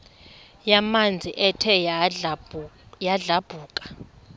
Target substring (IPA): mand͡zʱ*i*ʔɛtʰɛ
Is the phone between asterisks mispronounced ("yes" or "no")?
no